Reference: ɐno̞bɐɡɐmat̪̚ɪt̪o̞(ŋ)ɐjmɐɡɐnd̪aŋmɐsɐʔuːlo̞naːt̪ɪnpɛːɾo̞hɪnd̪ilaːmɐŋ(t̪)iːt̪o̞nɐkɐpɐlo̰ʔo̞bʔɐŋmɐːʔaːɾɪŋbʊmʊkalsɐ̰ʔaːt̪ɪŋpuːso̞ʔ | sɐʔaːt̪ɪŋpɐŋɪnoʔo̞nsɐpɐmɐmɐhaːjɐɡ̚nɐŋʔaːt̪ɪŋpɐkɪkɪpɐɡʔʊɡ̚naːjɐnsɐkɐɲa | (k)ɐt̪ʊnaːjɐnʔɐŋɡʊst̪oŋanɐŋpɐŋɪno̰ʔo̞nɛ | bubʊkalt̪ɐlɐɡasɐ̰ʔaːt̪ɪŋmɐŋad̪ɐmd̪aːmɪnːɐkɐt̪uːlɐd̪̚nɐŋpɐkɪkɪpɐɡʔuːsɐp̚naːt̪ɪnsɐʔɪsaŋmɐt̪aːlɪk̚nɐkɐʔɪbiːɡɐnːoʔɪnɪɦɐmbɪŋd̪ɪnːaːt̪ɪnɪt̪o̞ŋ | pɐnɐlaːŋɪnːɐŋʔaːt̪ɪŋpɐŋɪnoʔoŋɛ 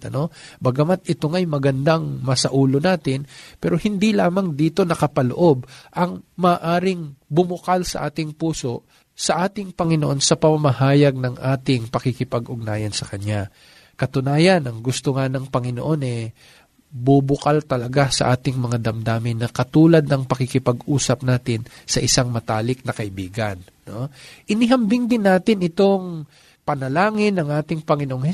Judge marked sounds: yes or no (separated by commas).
yes, no, yes